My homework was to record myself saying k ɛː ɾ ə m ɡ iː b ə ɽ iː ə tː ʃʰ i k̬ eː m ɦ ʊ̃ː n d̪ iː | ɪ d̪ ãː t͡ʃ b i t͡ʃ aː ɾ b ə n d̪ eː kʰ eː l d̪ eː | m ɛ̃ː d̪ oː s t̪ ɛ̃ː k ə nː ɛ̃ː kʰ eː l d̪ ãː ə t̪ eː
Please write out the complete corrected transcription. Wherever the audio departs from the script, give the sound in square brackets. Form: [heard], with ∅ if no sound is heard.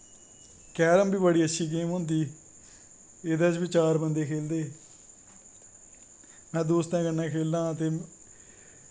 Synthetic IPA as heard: k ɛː ɾ ə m [b] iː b ə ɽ iː ə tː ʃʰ [iː] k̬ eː m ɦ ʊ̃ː n d̪ iː | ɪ d̪ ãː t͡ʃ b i t͡ʃ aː ɾ b ə n d̪ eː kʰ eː l d̪ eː | m ɛ̃ː d̪ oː s t̪ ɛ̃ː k ə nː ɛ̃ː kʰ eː l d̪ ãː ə t̪ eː